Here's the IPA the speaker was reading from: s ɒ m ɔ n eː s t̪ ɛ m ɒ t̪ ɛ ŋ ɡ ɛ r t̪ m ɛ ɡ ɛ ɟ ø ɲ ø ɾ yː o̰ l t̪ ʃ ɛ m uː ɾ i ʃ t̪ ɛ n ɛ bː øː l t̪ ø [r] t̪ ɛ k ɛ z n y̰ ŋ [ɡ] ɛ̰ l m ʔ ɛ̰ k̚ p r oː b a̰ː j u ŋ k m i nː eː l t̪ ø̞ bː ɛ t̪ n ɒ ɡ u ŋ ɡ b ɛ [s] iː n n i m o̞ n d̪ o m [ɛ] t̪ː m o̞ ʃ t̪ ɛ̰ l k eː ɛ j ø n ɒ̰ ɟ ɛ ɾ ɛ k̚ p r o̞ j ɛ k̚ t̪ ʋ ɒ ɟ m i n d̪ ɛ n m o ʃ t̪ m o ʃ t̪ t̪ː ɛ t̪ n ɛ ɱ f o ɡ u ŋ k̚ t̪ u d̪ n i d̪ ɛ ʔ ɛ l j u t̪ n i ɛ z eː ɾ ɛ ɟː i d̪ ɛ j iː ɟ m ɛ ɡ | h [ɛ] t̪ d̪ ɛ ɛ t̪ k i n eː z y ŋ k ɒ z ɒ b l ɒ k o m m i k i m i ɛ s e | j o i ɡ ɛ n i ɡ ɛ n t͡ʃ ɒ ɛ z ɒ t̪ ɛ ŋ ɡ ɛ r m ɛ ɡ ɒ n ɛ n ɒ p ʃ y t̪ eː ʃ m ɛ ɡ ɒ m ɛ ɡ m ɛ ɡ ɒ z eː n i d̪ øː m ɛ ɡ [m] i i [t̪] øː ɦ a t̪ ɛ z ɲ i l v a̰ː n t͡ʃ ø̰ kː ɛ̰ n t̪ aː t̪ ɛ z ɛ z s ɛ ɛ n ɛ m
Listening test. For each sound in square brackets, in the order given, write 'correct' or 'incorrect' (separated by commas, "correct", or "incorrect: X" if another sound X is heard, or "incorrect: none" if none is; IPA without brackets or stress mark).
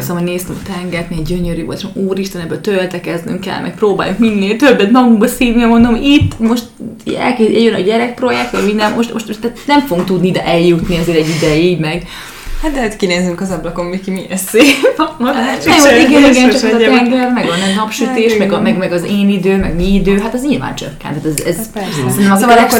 incorrect: l, incorrect: k, correct, incorrect: i, incorrect: a, correct, incorrect: d̪